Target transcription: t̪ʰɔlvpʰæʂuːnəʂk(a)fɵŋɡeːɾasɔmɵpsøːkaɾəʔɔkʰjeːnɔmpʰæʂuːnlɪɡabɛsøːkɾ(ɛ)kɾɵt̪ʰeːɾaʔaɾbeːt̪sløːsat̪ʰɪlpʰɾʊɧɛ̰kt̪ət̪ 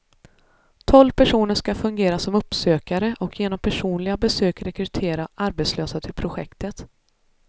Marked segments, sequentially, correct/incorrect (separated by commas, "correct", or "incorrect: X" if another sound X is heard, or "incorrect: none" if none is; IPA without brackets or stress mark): correct, correct